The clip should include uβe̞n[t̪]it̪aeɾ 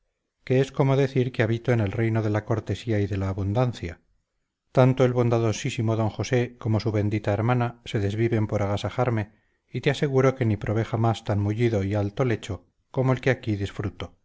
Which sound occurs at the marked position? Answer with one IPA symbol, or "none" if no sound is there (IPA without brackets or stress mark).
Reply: d̪